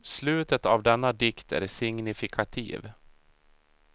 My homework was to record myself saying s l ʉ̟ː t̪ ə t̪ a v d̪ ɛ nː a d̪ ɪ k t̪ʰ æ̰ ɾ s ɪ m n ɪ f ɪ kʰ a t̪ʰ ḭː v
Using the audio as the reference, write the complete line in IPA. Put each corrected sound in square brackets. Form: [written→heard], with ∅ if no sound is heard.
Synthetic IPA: s l ʉ̟ː t̪ ə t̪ a v d̪ ɛ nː a d̪ ɪ k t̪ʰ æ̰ ɾ s ɪ [m→ŋ] n ɪ f ɪ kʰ a t̪ʰ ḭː v